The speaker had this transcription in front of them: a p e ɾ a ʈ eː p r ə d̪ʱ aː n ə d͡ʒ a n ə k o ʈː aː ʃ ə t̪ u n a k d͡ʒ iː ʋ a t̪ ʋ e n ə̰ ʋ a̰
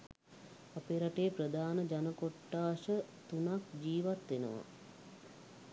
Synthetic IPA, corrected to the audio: a p e ɾ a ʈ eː p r ə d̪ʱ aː n ə d͡ʒ a n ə k o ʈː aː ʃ ə t̪ u n a k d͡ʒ iː ʋ a t̪ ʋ e n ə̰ ʋ a̰